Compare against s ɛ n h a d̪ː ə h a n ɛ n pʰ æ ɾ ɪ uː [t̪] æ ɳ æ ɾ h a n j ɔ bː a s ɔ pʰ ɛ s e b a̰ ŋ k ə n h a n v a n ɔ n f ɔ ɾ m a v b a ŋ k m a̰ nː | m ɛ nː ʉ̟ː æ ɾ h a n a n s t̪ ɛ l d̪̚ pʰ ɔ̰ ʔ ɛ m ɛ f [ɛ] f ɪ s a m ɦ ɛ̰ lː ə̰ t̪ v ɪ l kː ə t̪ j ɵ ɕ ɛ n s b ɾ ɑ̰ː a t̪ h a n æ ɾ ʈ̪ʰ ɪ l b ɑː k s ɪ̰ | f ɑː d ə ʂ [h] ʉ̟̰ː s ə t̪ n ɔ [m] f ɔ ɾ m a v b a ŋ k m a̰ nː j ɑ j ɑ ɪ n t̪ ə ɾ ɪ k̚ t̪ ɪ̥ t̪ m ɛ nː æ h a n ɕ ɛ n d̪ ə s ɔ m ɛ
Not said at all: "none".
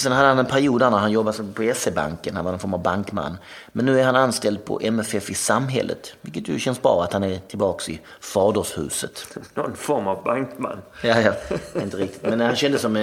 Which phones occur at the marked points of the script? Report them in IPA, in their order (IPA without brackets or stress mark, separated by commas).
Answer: d̪, ɛ, h, n